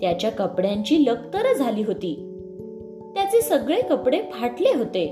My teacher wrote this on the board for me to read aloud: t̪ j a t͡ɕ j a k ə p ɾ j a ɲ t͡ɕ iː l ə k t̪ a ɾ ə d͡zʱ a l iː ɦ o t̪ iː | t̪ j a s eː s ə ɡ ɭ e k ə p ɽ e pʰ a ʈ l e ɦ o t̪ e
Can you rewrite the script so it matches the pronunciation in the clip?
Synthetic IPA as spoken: t̪ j a t͡ɕ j a k ə p ɽ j a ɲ t͡ɕ iː l ə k t̪ ə ɾ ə d͡zʱ a l iː ɦ o t̪ iː | t̪ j a t͡s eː s ə ɡ ɭ e k ə p ɽ e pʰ a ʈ l e ɦ o t̪ e